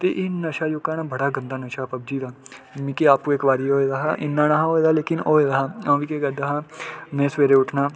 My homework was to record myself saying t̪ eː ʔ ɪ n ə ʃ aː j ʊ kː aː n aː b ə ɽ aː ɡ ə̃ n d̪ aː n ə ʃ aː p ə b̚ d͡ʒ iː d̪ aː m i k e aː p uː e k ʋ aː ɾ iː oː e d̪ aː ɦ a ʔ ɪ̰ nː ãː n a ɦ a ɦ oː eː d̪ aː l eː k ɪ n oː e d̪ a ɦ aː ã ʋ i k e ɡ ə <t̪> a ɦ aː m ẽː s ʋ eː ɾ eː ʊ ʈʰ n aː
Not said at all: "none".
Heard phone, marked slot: d̪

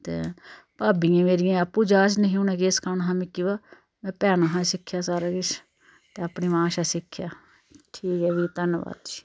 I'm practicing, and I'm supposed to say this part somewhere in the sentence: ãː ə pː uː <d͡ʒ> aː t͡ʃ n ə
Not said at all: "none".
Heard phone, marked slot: d͡ʒ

